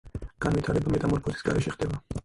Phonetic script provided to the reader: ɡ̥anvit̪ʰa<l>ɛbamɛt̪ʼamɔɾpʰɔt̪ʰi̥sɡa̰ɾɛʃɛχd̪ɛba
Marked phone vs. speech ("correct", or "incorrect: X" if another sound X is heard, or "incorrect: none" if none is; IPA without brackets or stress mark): incorrect: ɾ